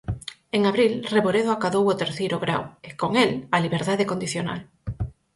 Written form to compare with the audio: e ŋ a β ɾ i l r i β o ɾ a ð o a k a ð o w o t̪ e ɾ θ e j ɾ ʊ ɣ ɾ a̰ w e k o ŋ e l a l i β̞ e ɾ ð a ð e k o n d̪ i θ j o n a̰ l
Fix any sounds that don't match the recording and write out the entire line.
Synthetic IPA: e ŋ a β ɾ i l r e β o ɾ e ð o a k a ð o w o t̪ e ɾ θ e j ɾ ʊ ɣ ɾ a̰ w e k o ŋ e l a l i β̞ e ɾ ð a ð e k o n d̪ i θ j o n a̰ l